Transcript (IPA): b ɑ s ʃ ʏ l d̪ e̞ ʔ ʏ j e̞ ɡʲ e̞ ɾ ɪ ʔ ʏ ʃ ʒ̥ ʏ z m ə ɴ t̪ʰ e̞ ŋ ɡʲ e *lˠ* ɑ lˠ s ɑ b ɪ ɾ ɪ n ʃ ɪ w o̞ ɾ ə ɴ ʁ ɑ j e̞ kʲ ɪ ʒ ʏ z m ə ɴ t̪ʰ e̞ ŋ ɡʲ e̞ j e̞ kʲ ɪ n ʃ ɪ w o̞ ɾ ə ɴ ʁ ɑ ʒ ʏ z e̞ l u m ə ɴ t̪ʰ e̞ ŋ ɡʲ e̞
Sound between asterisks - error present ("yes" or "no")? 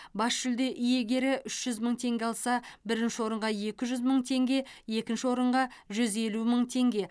yes